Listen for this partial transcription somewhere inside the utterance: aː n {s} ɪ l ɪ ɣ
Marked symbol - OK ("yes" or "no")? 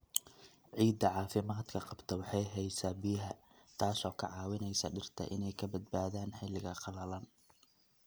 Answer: no